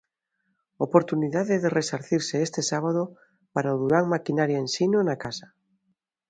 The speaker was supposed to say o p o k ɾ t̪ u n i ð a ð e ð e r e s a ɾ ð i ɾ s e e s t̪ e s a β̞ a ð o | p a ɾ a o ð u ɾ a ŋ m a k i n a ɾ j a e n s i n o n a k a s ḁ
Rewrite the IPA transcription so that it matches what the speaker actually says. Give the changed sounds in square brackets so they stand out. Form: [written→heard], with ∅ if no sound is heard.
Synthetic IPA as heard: o p o [k→∅] ɾ t̪ u n i ð a ð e ð e r e s a ɾ [ð→θ] i ɾ s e e s t̪ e s a β̞ a ð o | p a ɾ a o ð u ɾ a ŋ m a k i n a ɾ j a e n s i n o n a k a s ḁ